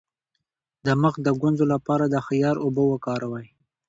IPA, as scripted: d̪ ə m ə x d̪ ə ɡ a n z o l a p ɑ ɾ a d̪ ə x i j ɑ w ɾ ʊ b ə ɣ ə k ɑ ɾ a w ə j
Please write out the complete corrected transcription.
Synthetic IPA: d̪ ə m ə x d̪ ə ɡ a n z o l a p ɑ ɾ a d̪ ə x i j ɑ ɾ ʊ b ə w ə k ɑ ɾ a w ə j